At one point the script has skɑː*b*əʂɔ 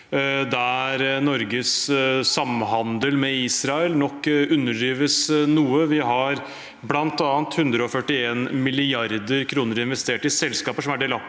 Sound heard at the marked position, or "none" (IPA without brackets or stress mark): p